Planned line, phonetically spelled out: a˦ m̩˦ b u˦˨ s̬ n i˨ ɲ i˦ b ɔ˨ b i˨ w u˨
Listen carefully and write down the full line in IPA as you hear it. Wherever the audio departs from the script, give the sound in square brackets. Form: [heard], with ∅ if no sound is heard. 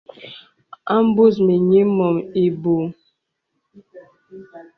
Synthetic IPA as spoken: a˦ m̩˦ b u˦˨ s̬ [m] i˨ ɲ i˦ [m] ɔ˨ [m] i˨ [b] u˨